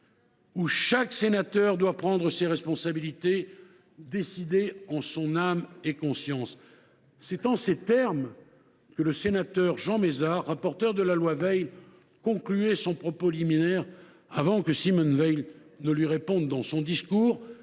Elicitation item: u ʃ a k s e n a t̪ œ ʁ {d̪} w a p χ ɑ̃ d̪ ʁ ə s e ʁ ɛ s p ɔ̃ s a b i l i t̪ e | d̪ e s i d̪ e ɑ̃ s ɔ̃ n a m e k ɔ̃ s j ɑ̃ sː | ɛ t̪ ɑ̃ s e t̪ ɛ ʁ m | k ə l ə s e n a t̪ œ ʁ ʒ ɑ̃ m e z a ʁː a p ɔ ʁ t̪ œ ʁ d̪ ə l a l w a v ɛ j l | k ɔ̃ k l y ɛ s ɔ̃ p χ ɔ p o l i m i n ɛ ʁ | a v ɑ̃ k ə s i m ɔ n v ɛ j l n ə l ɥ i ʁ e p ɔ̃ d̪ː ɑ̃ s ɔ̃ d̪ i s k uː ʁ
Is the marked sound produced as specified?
yes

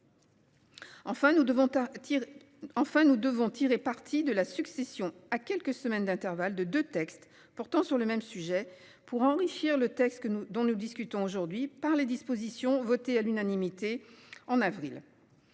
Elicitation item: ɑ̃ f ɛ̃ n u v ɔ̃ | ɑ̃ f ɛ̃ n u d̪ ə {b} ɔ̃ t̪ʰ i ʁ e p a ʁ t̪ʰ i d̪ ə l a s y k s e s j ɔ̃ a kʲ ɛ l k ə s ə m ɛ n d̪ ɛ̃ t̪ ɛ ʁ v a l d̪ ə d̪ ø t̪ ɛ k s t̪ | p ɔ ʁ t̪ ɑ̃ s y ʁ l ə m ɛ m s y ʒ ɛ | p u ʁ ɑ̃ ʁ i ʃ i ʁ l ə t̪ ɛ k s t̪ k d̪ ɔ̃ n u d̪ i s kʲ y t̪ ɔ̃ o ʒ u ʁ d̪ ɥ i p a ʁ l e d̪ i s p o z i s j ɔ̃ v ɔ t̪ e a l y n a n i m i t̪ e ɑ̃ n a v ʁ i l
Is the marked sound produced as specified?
no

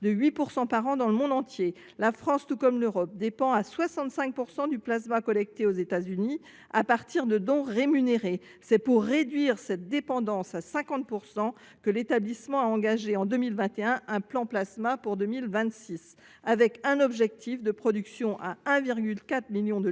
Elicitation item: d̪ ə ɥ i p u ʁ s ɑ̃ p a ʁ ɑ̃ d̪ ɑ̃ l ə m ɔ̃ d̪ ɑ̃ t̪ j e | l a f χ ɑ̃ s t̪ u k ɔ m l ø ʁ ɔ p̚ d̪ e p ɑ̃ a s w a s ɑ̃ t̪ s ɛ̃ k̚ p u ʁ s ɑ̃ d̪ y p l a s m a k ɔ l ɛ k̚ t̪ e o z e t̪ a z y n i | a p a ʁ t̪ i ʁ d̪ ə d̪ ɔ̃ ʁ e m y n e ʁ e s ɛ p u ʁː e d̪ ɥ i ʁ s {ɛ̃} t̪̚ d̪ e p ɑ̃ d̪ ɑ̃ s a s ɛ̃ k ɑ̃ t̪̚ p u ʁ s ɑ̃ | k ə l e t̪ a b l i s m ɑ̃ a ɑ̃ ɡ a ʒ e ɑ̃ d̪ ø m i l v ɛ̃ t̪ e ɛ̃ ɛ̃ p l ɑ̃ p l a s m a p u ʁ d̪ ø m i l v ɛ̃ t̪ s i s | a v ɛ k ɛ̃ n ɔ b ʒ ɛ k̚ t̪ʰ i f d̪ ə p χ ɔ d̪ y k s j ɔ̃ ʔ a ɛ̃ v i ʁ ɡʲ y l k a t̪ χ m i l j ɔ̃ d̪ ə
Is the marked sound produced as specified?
no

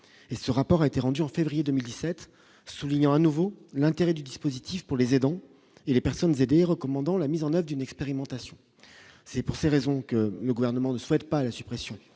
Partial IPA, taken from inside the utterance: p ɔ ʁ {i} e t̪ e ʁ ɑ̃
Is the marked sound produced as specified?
no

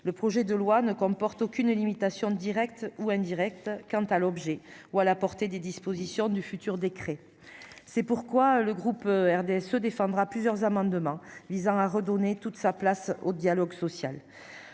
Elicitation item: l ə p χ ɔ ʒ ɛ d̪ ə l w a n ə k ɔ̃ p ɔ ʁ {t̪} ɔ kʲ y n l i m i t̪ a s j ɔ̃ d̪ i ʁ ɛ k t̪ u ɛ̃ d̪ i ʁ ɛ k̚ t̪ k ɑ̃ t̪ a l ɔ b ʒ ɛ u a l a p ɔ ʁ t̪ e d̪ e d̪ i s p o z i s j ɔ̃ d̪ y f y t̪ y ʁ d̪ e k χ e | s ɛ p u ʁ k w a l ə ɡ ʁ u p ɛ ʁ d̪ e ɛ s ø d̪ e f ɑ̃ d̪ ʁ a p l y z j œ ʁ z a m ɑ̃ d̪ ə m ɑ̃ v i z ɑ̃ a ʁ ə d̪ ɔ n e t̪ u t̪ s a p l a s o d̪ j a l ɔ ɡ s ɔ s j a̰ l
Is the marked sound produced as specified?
yes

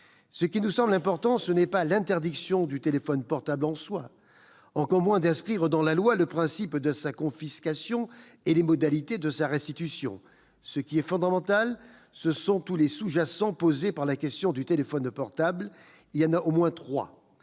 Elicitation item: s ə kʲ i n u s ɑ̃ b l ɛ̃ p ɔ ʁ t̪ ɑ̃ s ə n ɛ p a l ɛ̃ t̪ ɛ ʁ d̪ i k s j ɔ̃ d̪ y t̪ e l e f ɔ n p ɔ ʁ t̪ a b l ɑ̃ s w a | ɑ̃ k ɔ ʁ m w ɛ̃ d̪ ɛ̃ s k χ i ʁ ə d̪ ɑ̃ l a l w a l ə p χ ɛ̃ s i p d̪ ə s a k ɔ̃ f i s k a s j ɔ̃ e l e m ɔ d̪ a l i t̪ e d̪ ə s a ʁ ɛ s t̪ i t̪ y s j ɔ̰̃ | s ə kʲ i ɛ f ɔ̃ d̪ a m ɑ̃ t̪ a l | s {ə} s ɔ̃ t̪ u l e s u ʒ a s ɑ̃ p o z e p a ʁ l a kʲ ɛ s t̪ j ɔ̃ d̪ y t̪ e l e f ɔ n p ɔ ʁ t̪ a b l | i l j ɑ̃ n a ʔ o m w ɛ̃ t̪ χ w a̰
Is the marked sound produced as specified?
yes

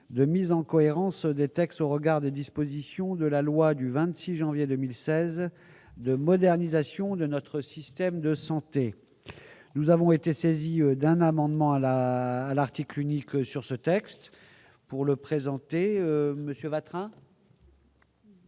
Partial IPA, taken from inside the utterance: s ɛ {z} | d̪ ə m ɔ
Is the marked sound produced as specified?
yes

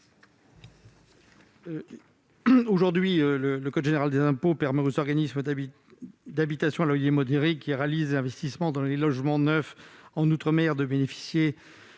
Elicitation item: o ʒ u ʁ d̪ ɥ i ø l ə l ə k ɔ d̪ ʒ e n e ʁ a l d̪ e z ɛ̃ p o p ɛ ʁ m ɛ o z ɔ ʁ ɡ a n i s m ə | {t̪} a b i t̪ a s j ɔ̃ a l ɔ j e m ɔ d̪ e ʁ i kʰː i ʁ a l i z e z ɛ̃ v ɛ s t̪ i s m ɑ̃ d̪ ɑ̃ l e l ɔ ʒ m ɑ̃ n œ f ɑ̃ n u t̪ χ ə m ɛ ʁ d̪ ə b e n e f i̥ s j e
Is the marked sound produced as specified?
no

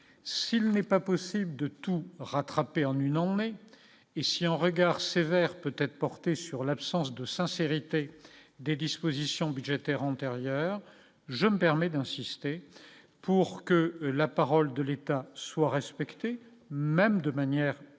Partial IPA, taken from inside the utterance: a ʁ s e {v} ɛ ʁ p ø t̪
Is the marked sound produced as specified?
yes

